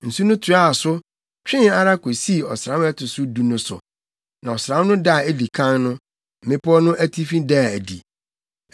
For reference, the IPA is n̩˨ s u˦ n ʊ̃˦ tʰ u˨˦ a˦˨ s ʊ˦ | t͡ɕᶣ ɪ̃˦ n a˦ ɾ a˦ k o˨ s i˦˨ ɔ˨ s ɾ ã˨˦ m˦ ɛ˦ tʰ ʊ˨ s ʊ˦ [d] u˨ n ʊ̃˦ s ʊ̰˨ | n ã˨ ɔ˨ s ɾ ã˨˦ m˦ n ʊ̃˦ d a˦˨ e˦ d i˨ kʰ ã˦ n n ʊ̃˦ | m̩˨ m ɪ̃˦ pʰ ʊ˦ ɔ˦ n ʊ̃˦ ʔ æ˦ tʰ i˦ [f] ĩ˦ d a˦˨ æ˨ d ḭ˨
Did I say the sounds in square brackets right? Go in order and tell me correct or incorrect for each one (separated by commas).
correct, correct